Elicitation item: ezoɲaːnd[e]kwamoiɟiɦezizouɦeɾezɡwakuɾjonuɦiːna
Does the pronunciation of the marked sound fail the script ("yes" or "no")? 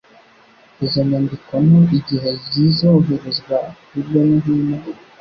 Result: yes